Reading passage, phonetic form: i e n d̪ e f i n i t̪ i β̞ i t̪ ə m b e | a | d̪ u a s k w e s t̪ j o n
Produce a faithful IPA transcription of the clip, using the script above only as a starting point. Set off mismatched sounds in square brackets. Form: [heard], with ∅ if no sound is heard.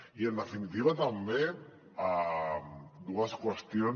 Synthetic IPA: i e n d̪ e f i n i t̪ i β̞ [a] t̪ [a] m b e | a | d̪ u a s k w e s t̪ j o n

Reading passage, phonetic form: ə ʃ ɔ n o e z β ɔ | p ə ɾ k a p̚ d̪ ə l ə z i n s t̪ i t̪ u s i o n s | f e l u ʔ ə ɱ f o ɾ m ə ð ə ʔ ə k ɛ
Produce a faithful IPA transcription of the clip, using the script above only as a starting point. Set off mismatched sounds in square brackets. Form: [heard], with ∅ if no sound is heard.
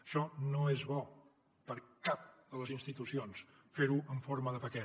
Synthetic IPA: ə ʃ ɔ n o e z β ɔ | p ə ɾ k a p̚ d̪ ə l ə z i n s t̪ i t̪ u s i o n s | f e [ɾ] u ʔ ə ɱ f o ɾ m ə ð ə [p] ə k ɛ

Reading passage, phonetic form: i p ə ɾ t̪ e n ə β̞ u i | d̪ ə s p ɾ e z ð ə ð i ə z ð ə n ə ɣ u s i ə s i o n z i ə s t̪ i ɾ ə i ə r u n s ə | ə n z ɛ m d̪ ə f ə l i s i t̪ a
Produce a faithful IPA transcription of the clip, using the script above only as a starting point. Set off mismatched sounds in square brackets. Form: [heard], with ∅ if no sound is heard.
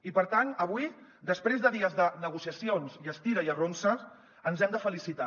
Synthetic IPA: i p ə ɾ t̪ [a] n ə β̞ u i | d̪ ə s p ɾ e z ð ə ð i ə z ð ə n ə ɣ u s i ə s i o n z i ə s t̪ i ɾ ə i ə r [o] n s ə | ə n z ɛ m d̪ ə f ə l i s i t̪ a

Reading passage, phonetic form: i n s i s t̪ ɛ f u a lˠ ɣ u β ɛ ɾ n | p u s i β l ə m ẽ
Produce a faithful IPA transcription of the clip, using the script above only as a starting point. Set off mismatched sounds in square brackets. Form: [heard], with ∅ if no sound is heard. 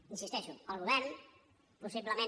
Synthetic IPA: i n s i s t̪ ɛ [ʃ] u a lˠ ɣ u β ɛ ɾ n | p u s i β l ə m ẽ

